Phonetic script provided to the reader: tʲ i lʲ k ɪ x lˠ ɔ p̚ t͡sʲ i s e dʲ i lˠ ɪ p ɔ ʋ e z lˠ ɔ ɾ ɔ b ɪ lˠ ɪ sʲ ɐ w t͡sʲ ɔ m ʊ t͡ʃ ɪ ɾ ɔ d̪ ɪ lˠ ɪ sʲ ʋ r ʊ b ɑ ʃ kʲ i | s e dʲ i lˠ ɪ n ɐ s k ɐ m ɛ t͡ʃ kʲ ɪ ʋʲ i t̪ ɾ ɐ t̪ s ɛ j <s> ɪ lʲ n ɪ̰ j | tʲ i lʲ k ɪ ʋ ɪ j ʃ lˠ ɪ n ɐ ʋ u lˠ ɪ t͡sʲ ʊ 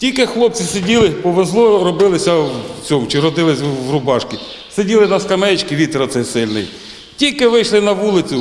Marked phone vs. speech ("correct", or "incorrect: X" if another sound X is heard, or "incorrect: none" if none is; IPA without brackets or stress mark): correct